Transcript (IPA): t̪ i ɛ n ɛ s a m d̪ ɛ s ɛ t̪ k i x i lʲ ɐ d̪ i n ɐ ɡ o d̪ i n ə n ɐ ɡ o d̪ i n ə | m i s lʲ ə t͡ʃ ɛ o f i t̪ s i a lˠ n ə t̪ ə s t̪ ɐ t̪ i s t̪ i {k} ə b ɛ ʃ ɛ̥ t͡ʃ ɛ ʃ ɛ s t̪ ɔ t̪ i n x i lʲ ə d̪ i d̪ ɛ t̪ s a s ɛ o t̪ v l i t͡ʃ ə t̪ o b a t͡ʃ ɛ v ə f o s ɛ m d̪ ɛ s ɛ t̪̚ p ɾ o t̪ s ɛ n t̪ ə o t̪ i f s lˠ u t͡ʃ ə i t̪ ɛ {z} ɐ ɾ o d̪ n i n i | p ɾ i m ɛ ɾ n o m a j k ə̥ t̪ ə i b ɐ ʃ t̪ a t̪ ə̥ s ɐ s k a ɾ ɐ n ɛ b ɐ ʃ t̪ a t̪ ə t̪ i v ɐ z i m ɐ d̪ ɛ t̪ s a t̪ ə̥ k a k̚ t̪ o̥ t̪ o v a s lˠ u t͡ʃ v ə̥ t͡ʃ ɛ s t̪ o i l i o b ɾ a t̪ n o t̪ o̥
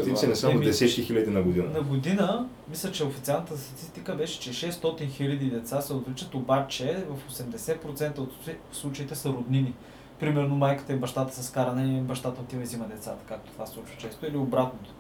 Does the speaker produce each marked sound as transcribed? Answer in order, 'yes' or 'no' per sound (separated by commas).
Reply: yes, no